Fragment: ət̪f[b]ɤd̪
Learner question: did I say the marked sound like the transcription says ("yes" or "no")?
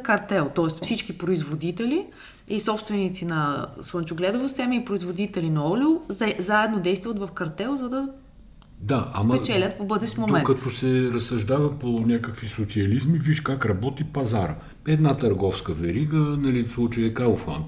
yes